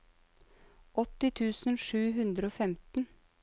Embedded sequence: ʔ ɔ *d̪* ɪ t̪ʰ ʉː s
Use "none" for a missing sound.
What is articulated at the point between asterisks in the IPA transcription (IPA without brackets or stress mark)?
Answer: t̪